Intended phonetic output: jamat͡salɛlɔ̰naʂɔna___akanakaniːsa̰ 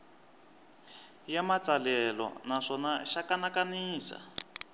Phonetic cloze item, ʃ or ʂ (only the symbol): ʃ